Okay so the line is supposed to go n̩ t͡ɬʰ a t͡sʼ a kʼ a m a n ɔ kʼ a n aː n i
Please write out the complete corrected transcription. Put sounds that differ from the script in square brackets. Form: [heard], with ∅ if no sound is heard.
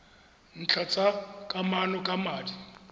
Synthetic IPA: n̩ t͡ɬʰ a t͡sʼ a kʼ a m a n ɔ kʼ a [m] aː [d] i